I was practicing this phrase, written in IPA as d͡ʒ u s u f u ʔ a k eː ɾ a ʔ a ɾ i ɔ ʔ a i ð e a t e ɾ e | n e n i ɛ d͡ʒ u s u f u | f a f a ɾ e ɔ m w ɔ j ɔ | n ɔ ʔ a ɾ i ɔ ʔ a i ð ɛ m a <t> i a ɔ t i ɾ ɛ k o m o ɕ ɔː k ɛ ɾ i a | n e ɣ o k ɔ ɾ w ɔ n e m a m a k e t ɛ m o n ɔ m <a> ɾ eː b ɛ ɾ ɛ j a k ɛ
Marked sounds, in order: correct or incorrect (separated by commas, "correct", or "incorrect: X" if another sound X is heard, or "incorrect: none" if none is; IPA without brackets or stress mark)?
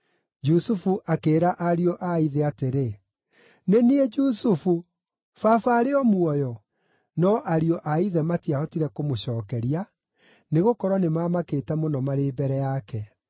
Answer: correct, correct